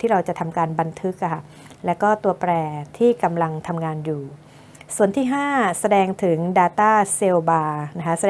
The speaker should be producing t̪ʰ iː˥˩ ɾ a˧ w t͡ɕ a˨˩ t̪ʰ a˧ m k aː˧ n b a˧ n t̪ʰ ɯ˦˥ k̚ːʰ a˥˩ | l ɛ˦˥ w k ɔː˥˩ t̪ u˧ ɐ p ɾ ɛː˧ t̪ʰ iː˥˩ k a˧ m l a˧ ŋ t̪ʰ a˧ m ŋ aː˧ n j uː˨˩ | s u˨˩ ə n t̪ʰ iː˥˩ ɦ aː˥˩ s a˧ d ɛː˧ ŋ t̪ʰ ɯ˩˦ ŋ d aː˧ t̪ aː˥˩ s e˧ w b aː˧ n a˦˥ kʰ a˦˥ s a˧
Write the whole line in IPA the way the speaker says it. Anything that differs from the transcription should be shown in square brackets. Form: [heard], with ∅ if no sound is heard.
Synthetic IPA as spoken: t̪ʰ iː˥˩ ɾ a˧ w t͡ɕ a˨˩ t̪ʰ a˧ m k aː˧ n b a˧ n t̪ʰ ɯ˦˥ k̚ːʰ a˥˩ | l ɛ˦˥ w k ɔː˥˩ t̪ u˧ ɐ p ɾ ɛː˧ t̪ʰ iː˥˩ k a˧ m l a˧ ŋ t̪ʰ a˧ m ŋ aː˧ n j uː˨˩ | s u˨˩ ə n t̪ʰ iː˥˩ ɦ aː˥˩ s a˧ d ɛː˧ ŋ t̪ʰ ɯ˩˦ ŋ d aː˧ t̪ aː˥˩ s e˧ w b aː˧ n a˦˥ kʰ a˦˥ s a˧